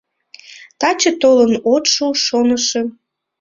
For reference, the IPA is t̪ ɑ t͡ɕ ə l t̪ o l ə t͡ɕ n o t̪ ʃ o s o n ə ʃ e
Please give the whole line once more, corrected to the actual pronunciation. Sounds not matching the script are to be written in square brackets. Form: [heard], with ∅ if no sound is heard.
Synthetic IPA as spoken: t̪ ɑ t͡ɕ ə [∅] t̪ o l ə [∅] n o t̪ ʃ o [ʃ] o n ə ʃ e